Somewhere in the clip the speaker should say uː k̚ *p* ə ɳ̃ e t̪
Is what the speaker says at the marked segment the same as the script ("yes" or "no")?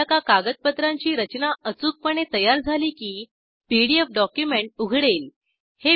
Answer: yes